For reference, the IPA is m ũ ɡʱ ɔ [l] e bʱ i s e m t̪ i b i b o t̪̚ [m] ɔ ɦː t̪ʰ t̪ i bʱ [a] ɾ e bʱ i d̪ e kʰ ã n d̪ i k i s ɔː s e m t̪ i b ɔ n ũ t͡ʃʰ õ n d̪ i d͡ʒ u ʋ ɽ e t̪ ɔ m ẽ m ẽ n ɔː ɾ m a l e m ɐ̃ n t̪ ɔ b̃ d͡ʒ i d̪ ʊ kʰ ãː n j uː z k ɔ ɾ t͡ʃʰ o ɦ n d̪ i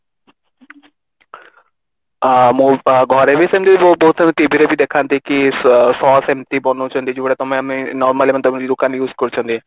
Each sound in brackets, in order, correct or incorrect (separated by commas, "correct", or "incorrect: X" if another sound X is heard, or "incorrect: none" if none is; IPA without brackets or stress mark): incorrect: ɾ, incorrect: b, incorrect: i